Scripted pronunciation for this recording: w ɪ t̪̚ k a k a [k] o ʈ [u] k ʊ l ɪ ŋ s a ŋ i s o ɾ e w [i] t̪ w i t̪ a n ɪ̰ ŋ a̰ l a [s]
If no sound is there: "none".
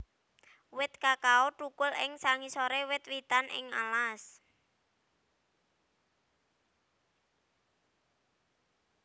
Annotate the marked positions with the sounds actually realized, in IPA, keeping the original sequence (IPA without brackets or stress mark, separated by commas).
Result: none, u, ɪ, s